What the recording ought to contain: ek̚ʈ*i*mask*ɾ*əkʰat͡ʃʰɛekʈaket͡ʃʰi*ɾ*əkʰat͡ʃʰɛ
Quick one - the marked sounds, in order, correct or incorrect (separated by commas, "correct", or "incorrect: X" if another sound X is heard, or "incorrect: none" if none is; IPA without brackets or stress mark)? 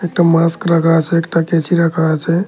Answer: incorrect: a, correct, correct